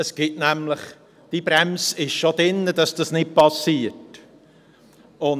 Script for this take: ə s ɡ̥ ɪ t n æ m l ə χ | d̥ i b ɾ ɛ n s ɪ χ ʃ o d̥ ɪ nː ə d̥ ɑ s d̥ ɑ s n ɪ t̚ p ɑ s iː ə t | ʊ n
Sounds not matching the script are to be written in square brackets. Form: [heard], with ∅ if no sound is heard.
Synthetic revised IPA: ə s ɡ̥ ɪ t n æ m l ə χ | d̥ i b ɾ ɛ [m] s ɪ [ʃ] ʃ o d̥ ɪ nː ə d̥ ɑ s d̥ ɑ s n ɪ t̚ p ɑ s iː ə t | ʊ n